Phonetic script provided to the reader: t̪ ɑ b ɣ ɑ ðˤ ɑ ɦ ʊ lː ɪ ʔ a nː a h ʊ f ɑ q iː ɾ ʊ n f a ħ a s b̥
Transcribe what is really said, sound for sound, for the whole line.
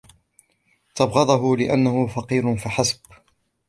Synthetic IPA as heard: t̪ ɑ b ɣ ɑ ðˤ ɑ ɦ ʊ l ɪ ʔ a nː a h ʊ f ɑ q iː ɾ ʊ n f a ħ a s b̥